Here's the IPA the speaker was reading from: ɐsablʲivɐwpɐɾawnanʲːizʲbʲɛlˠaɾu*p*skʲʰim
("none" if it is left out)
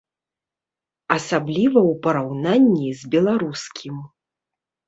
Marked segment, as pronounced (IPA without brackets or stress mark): none